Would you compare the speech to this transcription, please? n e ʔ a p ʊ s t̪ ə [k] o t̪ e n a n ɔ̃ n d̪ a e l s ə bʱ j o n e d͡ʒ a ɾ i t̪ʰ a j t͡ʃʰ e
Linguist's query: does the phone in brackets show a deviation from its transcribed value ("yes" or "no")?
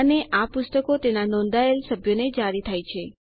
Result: no